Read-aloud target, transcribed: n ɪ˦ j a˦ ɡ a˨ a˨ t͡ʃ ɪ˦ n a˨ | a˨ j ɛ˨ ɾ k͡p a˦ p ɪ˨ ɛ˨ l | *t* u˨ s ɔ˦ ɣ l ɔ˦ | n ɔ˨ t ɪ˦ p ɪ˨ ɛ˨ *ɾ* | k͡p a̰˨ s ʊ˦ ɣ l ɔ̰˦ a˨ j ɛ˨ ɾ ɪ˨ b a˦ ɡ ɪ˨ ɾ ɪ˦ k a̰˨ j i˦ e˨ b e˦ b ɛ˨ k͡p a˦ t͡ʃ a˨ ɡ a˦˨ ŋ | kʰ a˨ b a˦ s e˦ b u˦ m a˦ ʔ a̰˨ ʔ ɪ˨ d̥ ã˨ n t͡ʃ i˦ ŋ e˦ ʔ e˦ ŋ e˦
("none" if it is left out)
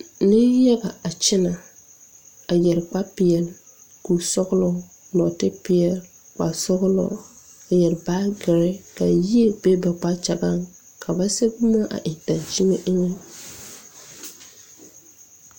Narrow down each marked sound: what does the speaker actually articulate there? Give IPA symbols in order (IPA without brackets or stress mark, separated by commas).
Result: k, l